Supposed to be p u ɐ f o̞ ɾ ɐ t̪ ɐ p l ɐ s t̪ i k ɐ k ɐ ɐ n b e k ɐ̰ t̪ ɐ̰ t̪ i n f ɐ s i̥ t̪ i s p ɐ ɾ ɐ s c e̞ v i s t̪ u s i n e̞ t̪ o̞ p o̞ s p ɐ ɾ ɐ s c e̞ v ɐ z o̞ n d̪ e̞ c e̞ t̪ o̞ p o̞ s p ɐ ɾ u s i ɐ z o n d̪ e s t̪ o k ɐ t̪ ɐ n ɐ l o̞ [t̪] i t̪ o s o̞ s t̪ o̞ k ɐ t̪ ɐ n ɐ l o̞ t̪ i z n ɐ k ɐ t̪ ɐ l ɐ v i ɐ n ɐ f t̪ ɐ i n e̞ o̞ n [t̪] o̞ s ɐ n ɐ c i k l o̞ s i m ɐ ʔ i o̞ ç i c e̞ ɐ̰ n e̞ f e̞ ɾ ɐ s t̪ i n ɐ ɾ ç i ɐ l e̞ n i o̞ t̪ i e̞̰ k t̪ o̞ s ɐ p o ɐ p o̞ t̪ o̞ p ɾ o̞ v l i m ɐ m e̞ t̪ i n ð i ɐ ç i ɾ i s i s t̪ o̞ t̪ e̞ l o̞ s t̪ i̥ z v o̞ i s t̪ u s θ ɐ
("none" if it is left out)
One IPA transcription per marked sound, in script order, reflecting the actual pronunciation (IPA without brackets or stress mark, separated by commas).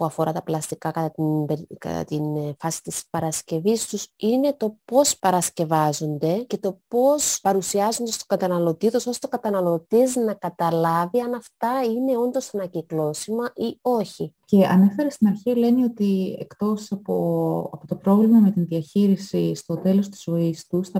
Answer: t̪, d̪